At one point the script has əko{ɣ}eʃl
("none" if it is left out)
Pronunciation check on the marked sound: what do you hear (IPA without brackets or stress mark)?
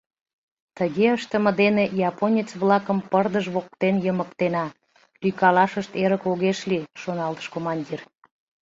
ɣ